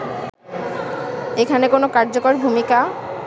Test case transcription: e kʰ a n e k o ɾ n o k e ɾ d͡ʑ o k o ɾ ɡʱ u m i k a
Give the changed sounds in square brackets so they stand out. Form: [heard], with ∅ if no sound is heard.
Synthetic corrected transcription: e kʰ a n e k o [∅] n o k [a] ɾ d͡ʑ o k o ɾ [bʱ] u m i k a